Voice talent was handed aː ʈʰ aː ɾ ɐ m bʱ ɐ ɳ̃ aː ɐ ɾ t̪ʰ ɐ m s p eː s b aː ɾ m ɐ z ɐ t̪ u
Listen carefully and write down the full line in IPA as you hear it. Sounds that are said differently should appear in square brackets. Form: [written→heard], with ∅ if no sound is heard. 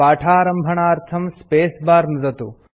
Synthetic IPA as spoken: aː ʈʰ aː ɾ ɐ m bʱ ɐ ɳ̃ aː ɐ ɾ t̪ʰ ɐ m s p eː s b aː ɾ [m→n] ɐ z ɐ t̪ u